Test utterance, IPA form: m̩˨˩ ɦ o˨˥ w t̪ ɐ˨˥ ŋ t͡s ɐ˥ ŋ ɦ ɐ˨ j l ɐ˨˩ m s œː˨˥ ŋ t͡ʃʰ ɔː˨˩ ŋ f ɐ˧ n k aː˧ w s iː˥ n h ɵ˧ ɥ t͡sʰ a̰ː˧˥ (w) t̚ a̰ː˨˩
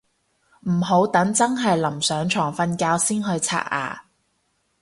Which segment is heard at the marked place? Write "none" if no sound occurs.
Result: none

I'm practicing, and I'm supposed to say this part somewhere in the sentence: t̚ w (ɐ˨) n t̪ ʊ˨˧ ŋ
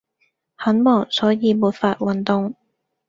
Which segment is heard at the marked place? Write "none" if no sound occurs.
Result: ɐ˨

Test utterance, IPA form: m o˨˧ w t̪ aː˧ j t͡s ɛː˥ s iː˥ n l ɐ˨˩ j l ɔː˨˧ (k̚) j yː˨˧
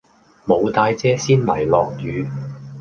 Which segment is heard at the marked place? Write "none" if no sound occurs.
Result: k̚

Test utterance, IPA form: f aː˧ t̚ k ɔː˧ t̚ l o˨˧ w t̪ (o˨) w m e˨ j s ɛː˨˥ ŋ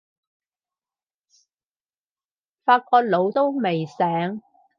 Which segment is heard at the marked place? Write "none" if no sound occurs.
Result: o˥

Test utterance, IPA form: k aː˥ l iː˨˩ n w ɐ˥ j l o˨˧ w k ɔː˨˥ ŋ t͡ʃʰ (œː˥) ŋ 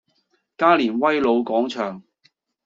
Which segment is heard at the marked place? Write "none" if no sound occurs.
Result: œː˨˩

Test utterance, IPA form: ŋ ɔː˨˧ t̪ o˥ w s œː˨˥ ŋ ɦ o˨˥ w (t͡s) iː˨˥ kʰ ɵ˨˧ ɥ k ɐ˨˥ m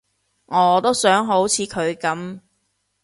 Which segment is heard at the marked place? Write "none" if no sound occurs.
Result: t͡sʰ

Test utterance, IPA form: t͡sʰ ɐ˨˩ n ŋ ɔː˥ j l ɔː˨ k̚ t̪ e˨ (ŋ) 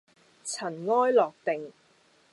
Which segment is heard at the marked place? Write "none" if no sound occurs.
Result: ŋ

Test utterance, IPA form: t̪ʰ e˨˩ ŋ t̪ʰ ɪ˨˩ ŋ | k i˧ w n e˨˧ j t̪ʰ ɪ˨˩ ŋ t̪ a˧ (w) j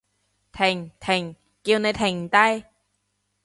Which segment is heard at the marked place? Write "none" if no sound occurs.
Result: none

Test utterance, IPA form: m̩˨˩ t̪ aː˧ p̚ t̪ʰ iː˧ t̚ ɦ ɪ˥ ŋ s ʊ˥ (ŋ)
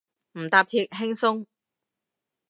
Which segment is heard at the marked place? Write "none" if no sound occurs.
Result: ŋ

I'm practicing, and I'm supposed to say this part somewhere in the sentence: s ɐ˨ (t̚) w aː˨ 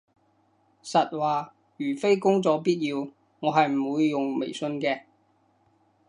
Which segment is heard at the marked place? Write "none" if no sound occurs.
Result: t̚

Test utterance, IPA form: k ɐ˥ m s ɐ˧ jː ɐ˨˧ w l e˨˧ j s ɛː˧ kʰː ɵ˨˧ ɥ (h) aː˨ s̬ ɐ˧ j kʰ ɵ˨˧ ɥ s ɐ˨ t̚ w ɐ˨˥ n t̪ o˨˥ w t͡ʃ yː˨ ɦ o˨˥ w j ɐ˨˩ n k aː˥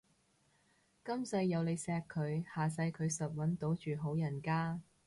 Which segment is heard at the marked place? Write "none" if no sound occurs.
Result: h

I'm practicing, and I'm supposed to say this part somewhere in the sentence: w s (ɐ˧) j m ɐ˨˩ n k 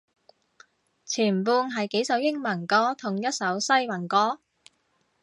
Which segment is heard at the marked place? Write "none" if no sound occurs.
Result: ɐ˥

